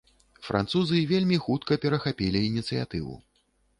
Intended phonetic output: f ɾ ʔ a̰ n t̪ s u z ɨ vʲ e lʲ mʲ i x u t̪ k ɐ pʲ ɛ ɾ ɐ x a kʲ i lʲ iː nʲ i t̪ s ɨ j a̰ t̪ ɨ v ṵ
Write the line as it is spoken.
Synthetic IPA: f ɾ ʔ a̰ n t̪ s u z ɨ vʲ e lʲ mʲ i x u t̪ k ɐ pʲ ɛ ɾ ɐ x a pʲ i lʲ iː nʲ i t̪ s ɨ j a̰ t̪ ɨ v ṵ

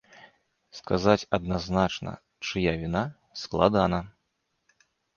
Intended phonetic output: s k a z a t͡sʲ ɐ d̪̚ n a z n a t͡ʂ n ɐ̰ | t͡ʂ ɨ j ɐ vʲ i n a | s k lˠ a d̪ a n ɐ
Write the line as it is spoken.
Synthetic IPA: s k a z a t͡sʲ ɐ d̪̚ n a z n a t͡ʂ n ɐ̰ | t͡ʂ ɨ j a vʲ i n a | s k lˠ a d̪ a n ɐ

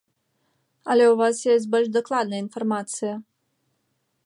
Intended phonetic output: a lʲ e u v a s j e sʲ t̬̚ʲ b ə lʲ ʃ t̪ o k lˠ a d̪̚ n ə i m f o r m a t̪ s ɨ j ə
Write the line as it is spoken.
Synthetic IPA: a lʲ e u v a s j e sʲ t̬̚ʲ b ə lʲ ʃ d̪ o k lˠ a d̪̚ n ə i n f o r m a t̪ s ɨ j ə

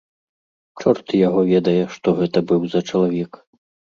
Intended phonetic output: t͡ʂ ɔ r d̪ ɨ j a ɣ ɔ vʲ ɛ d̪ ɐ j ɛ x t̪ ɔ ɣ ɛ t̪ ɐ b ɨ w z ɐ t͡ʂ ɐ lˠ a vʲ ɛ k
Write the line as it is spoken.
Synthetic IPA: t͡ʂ ɔ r t̪ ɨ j a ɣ ɔ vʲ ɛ d̪ ɐ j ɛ ʂ t̪ ɔ ɣ ɛ t̪ ɐ b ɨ w z ɐ t͡ʂ ɐ lˠ a vʲ ɛ k

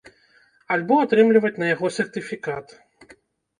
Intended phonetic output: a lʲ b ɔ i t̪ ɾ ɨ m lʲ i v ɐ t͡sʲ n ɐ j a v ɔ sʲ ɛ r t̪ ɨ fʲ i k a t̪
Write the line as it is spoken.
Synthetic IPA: a lʲ b ɔ a t̪ ɾ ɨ m lʲ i v ɐ t͡sʲ n ɐ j a ɣ ɔ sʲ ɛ r t̪ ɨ fʲ i k a t̪

